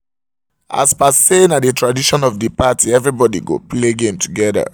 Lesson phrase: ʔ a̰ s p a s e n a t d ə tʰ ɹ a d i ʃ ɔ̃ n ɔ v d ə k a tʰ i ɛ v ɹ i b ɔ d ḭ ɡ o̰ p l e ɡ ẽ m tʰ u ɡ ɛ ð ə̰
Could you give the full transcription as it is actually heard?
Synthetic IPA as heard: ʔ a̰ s p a s e n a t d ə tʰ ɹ a d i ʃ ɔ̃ n ɔ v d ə p a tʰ i ɛ v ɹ i b ɔ d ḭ ɡ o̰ p l e ɡ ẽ m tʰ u ɡ ɛ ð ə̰